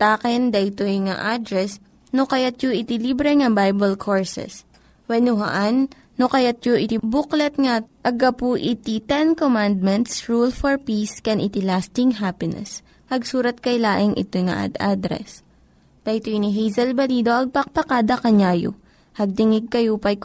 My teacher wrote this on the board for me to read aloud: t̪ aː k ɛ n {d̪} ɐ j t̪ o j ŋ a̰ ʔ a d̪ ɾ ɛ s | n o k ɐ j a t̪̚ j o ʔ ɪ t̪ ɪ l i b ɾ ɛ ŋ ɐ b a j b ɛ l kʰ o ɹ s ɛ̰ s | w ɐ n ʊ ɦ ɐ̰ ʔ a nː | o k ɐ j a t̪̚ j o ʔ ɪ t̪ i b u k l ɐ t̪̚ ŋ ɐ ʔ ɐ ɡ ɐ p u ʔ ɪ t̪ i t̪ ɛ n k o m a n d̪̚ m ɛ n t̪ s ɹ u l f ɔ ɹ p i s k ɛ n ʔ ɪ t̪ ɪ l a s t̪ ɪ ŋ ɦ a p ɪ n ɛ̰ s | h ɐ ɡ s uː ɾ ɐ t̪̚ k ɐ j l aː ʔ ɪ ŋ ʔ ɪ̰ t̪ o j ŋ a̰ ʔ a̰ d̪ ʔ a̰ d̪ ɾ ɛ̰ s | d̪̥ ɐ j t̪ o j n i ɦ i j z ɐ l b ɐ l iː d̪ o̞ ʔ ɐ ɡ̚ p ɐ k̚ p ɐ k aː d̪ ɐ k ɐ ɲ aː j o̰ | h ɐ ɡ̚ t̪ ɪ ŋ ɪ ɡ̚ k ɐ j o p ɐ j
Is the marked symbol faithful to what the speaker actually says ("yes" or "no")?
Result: yes